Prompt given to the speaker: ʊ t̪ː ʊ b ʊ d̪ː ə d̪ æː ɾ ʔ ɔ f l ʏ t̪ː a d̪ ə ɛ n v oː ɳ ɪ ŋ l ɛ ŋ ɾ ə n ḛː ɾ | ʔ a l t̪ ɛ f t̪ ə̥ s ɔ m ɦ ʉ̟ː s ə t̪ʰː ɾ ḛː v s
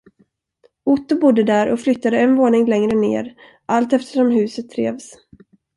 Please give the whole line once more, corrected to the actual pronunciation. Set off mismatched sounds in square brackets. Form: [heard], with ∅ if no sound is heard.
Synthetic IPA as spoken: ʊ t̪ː ʊ b ʊ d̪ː ə d̪ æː ɾ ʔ ɔ f l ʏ t̪ː a d̪ ə ɛ n v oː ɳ ɪ ŋ l ɛ ŋ ɾ ə n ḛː ɾ | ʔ a l t̪ ɛ f t̪ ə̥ [ʂ] ɔ m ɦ ʉ̟ː s ə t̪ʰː ɾ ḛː v s